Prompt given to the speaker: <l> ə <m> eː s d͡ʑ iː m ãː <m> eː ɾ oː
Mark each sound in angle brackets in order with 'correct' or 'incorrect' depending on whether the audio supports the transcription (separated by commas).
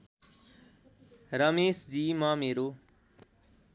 incorrect, correct, correct